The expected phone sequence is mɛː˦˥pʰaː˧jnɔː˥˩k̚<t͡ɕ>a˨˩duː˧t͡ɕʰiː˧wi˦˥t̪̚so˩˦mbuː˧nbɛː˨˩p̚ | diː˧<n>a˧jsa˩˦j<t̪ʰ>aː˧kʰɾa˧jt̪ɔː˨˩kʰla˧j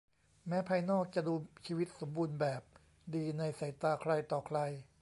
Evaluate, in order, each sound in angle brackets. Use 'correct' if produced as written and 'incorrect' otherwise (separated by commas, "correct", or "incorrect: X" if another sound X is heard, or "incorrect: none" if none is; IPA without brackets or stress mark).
correct, correct, incorrect: t̪